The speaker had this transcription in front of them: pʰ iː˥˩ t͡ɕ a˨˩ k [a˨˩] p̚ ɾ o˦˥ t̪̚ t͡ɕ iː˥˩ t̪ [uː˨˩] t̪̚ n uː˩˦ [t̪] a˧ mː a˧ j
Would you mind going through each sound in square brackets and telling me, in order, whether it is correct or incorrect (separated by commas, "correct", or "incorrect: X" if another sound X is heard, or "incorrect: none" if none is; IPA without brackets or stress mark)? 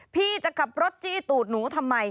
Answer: correct, correct, incorrect: t̪ʰ